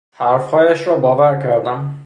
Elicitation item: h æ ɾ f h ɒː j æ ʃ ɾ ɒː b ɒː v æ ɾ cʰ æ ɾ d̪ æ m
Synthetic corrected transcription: h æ ɾ f h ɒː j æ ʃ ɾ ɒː b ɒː v æ ɾ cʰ æ ɾ d̪ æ m